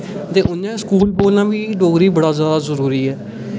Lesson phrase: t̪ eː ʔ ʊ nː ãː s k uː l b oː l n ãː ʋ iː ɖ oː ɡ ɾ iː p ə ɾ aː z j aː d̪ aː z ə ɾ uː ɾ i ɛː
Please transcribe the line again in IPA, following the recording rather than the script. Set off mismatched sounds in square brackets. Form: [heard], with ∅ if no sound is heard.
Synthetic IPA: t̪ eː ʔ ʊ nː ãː s k uː l b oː l n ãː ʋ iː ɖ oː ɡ ɾ iː [b] ə [ɽ] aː z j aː d̪ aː z ə ɾ uː ɾ [iː] ɛː